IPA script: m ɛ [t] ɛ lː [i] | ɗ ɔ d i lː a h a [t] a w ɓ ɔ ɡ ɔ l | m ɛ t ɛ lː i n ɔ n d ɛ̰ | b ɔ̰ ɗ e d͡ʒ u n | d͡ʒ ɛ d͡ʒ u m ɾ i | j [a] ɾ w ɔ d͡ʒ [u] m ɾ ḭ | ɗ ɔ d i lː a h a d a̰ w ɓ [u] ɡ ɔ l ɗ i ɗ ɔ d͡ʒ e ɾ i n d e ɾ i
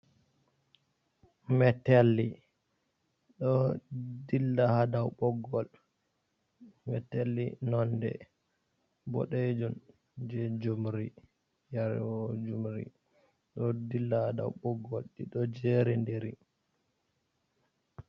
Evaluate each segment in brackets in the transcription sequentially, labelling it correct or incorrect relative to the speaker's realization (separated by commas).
correct, correct, incorrect, correct, correct, incorrect